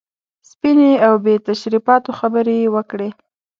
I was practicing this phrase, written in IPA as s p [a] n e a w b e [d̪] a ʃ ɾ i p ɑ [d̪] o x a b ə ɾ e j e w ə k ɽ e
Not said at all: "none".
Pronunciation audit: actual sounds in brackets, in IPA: i, t̪, t̪

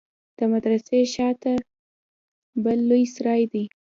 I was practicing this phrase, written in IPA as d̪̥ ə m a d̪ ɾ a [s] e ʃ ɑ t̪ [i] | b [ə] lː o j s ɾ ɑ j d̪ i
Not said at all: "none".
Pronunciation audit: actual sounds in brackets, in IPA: s, a, ə

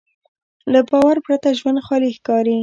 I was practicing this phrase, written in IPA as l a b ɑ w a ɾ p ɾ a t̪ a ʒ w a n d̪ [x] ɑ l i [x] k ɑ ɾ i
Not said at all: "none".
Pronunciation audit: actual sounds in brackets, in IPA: x, x

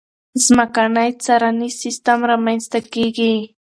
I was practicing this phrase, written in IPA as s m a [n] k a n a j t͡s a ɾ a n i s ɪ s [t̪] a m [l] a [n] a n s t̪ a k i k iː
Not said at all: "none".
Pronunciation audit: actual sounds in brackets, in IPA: none, t̪, ɾ, m

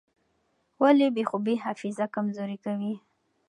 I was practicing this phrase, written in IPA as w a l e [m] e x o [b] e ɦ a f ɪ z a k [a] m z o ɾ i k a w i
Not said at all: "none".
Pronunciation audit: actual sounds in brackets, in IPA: b, b, a

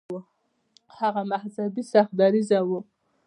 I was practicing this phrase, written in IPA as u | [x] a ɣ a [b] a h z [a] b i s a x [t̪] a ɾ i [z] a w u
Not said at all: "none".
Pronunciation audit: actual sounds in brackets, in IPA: h, m, a, d̪, z

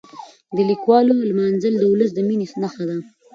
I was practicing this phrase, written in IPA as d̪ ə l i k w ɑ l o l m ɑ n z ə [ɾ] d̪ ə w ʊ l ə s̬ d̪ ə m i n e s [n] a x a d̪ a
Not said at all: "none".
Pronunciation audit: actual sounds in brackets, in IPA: l, n

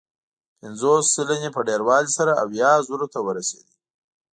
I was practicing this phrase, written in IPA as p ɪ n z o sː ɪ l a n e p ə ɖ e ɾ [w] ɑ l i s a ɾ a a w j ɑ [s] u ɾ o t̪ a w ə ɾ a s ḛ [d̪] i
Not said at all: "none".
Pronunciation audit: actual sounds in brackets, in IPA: w, z, d̪

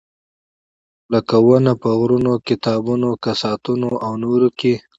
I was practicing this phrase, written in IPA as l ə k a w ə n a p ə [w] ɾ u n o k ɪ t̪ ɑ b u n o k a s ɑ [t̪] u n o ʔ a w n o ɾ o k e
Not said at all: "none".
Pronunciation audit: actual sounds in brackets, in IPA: ɣ, t̪

